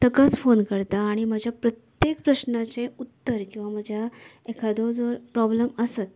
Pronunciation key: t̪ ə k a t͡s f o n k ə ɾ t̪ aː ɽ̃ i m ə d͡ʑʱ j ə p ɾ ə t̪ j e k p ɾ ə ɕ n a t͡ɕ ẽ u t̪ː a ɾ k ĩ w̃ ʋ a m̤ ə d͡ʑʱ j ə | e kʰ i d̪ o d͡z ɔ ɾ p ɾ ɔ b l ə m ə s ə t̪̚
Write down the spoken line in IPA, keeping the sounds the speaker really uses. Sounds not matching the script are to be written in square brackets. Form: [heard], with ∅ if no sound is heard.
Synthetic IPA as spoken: t̪ ə k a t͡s f o n k ə ɾ t̪ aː ɽ̃ i m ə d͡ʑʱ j [a] p ɾ ə t̪ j e k p ɾ ə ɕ n a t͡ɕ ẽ u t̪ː [ə] ɾ k ĩ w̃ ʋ a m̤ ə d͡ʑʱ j [a] | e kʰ [a] d̪ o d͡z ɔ ɾ p ɾ ɔ b l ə m ə s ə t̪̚

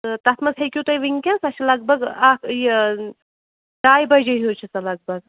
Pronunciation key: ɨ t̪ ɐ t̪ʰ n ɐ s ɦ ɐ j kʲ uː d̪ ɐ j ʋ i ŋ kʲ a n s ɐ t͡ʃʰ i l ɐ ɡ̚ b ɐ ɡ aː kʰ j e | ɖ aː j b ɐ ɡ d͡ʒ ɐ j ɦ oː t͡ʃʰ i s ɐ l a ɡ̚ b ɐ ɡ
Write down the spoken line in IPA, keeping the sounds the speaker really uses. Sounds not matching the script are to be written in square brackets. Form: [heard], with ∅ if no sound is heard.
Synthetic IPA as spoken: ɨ t̪ ɐ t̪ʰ [m] ɐ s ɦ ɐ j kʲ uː [t̪] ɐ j ʋ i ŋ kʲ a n s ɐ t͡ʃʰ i l ɐ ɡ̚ b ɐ ɡ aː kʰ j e | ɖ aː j b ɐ [∅] d͡ʒ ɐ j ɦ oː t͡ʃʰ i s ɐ l [ɐ] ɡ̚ b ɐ ɡ

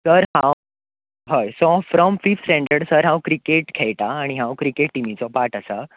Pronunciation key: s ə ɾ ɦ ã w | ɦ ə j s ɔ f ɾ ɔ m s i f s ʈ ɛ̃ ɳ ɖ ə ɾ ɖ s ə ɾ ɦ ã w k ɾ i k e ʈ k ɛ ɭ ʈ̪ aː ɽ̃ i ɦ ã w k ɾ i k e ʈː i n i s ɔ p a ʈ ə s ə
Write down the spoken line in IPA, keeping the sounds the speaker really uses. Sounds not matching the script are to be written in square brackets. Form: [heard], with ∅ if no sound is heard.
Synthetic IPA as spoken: s ə ɾ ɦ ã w | ɦ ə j s ɔ f ɾ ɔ m [f] i f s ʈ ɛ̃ ɳ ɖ ə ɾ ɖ s ə ɾ ɦ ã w k ɾ i k e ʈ [kʰ] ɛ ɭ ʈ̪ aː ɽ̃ i ɦ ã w k ɾ i k e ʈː i [m] i [t͡s] ɔ p a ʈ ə s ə

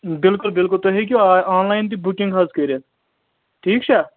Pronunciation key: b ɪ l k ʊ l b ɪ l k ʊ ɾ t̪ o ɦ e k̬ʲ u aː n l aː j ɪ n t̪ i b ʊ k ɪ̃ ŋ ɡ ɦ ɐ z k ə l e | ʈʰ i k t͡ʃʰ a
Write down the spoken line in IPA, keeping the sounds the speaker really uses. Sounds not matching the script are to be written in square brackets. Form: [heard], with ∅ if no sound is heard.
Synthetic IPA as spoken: b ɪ l k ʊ l b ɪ l k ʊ [l] t̪ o ɦ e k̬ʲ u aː n l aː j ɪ n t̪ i b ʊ k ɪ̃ ŋ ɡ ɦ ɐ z k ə [ɾ] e | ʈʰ [iː] k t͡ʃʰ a

